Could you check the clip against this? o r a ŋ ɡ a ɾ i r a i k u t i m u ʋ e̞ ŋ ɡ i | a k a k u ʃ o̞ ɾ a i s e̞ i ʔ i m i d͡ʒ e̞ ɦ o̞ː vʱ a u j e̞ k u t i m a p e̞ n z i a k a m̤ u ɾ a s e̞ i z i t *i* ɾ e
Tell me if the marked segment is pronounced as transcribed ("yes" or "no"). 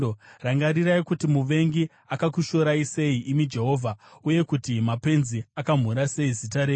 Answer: no